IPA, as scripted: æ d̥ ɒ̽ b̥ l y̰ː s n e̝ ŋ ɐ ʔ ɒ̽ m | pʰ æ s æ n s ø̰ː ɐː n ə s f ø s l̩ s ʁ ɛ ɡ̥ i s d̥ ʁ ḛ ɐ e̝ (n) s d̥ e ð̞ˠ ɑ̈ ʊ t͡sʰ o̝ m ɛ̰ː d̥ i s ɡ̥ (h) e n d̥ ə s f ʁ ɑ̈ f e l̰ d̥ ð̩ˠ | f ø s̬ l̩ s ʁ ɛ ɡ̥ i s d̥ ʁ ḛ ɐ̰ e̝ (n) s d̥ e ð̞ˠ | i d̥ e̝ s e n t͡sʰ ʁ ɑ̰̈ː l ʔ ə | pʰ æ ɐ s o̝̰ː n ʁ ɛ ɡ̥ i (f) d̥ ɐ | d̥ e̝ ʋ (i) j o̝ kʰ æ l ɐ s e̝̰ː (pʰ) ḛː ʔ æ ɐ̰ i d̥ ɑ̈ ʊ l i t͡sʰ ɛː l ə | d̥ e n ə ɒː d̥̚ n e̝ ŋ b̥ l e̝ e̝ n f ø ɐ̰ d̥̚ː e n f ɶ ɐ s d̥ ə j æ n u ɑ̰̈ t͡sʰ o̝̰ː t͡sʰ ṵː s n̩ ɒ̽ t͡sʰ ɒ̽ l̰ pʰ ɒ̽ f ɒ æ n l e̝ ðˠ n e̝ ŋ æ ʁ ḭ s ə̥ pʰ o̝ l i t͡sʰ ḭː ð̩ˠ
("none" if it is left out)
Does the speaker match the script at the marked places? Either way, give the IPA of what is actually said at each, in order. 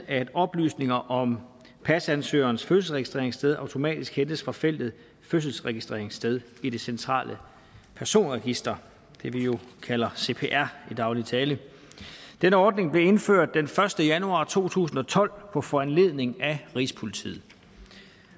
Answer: ŋ, h, ŋ, s, i, pʰ

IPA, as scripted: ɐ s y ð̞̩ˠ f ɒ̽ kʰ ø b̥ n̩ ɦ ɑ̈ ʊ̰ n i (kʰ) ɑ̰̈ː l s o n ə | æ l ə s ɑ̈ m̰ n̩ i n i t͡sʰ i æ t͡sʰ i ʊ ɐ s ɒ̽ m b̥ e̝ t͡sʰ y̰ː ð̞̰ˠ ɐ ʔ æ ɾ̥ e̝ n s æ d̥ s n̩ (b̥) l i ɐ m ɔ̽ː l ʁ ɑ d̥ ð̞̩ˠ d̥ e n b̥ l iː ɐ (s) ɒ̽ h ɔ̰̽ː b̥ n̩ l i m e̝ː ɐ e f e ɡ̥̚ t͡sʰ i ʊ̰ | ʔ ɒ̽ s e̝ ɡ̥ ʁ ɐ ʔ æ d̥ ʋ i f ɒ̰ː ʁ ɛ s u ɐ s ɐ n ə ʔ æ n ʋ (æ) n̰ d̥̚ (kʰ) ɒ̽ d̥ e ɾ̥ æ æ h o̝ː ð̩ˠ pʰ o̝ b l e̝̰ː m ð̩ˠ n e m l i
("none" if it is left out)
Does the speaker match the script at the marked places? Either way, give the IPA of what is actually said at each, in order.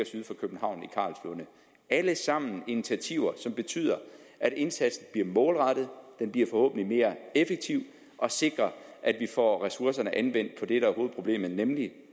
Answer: kʰ, b̥, f, e, pʰ

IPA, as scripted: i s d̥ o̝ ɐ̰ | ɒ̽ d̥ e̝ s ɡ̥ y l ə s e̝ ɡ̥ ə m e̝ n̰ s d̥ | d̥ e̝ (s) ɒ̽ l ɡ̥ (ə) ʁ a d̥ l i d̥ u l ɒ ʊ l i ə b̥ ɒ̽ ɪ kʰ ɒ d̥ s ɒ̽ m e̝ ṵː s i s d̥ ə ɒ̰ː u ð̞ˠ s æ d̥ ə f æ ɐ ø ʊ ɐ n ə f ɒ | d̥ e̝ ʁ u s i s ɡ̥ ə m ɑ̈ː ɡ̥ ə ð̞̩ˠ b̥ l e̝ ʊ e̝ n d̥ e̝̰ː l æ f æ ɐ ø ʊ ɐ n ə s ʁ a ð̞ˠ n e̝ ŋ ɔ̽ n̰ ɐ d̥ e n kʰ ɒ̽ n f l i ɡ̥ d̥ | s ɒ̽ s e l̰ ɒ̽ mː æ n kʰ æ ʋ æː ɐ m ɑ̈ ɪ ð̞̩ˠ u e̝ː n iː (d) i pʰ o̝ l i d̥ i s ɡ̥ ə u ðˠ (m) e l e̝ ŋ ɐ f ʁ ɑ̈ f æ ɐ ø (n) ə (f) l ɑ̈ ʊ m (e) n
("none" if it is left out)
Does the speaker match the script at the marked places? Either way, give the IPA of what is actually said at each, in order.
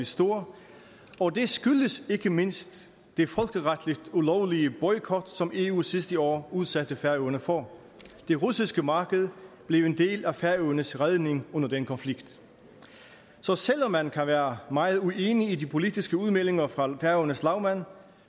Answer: f, ə, d, m, n, s, æ

